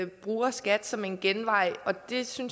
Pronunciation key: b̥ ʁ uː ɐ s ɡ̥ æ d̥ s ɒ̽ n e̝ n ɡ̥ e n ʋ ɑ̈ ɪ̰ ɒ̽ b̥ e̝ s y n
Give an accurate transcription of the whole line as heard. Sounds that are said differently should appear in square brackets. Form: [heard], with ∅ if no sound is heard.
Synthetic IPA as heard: b̥ ʁ uː ɐ s ɡ̥ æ d̥ s ɒ̽ [m] e̝ n ɡ̥ e n ʋ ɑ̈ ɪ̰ ɒ̽ [d̥] e̝ s y n